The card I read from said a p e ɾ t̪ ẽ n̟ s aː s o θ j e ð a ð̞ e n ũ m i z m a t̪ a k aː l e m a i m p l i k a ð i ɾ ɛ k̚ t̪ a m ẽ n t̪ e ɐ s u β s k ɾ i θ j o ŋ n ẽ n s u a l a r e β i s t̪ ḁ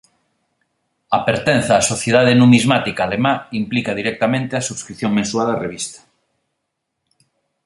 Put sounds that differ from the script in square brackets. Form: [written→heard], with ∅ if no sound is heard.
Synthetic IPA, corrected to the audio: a p e ɾ t̪ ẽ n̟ [s→θ] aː s o θ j e ð a ð̞ e n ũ m i z m a t̪ [a→i] k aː l e m a i m p l i k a ð i ɾ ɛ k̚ t̪ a m ẽ n t̪ e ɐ s u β s k ɾ i θ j o ŋ [n→m] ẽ n s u a l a r e β i s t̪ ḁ

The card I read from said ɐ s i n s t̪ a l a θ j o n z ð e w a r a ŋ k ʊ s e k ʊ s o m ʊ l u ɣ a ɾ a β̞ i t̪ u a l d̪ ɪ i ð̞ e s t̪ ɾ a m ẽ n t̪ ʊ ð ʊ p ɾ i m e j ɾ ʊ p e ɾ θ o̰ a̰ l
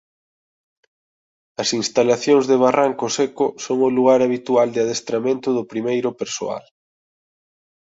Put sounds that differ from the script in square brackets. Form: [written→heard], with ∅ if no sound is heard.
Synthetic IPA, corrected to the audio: ɐ s i n s t̪ a l a θ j o [n→ŋ] z ð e [w→β] a r a ŋ k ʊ s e k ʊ s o [m→ŋ] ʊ l u ɣ a ɾ a β̞ i t̪ u a l d̪ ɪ [i→a] ð̞ e s t̪ ɾ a m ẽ n t̪ ʊ ð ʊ p ɾ i m e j ɾ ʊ p e ɾ [θ→s] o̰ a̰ l

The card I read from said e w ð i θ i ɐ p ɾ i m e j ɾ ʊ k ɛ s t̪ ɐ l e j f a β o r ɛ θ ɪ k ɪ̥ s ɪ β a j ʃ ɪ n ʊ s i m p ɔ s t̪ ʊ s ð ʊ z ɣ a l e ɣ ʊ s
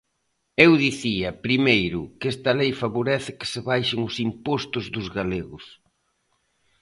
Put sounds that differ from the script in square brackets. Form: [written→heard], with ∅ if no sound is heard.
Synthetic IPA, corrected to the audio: e w ð i θ i ɐ p ɾ i m e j ɾ ʊ k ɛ s t̪ ɐ l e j f a β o [r→ɾ] ɛ θ ɪ k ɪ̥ s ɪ β a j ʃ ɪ [n→ŋ] ʊ s i m p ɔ s t̪ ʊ [s→z] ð ʊ z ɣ a l e ɣ ʊ s

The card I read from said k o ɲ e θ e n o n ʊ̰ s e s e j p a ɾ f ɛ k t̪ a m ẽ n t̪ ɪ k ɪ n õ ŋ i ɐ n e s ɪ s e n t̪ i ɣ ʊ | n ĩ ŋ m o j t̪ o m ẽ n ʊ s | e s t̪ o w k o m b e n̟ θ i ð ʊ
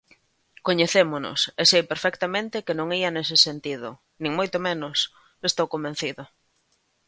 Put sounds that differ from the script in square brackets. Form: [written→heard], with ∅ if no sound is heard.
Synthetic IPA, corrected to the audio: k o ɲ e θ e [n→m] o n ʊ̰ s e s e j p [a→e] ɾ f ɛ k t̪ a m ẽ n t̪ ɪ k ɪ n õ ŋ i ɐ n e s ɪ s e n t̪ i [ɣ→ð] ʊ | n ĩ ŋ m o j t̪ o m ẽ n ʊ s | e s t̪ o w k o m b e n̟ θ i ð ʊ

